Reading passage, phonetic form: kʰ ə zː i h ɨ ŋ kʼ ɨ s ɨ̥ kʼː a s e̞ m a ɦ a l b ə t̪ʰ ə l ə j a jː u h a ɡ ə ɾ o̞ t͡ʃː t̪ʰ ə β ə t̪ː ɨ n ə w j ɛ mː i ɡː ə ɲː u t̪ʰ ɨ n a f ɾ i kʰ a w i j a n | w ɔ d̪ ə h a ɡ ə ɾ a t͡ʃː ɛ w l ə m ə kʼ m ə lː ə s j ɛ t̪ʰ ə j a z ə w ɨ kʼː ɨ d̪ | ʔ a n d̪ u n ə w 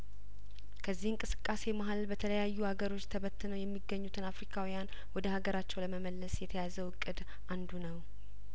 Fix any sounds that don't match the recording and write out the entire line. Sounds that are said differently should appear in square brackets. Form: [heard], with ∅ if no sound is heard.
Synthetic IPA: kʰ ə zː i h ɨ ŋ kʼ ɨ s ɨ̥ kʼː a s e̞ m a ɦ a l b ə t̪ʰ ə l ə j a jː u h a ɡ ə ɾ o̞ t͡ʃː t̪ʰ ə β ə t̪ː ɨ n ə w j ɛ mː i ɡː ə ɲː u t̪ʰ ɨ n a f ɾ i kʰ a w i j a n | w ɔ d̪ ə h a ɡ ə ɾ a t͡ʃː ɛ w l ə m ə [∅] m ə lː ə s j ɛ t̪ʰ ə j a z ə w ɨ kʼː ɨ d̪ | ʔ a n d̪ u n ə w